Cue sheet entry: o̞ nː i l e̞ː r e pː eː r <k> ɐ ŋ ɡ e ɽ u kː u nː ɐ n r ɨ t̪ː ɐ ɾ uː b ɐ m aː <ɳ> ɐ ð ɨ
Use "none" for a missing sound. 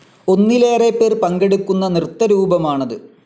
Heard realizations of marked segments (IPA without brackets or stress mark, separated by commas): p, ɳ